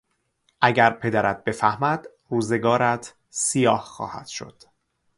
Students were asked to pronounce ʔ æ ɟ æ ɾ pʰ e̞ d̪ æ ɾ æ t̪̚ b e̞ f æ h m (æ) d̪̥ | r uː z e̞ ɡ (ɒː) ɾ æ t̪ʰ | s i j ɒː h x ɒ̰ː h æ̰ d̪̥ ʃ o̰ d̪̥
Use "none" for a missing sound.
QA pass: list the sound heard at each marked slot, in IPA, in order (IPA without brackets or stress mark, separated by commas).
æ, ɒː